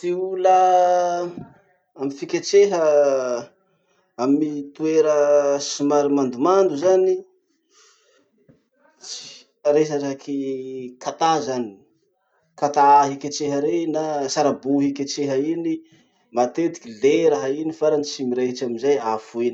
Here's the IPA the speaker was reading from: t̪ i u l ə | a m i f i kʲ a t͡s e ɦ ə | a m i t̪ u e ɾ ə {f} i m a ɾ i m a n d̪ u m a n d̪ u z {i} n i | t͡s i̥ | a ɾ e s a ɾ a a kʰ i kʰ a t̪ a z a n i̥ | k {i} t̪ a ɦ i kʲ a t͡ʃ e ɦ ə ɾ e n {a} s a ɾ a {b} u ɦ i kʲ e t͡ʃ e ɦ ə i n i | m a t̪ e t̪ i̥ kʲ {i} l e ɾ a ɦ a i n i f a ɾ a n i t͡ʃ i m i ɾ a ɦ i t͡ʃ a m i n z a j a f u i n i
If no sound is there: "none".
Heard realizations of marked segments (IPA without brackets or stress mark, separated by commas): s, a, a, a, b, i